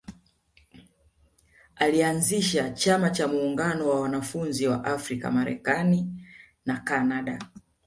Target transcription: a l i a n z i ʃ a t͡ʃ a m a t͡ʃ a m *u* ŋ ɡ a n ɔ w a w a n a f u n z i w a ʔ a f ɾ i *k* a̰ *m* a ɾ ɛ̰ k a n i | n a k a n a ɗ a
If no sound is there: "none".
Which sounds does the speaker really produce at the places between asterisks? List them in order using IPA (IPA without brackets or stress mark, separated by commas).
uː, k, m